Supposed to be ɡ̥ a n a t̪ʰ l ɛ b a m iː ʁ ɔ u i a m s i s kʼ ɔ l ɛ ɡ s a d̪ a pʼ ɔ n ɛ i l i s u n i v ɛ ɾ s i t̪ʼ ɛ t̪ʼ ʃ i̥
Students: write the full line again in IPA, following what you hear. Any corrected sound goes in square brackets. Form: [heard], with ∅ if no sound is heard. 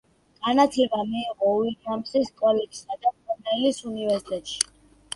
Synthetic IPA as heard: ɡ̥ a n a t̪ʰ l ɛ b a m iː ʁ ɔ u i a m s i s kʼ ɔ l ɛ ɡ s a d̪ a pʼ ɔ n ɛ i l i s u n i v ɛ ɾ s i t̪ʼ ɛ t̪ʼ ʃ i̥